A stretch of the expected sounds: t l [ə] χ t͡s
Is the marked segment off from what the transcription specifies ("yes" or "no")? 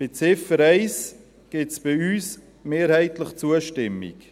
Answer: no